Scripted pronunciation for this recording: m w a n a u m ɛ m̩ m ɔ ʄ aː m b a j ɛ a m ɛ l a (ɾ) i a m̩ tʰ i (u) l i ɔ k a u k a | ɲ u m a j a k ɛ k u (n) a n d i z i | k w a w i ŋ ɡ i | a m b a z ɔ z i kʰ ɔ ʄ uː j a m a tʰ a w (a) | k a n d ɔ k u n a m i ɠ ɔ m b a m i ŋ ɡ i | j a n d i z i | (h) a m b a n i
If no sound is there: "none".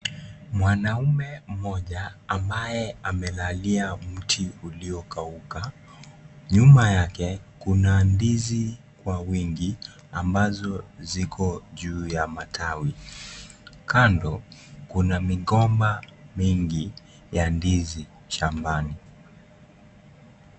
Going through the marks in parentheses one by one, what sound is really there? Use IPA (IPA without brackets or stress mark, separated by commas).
l, u, n, i, ʃ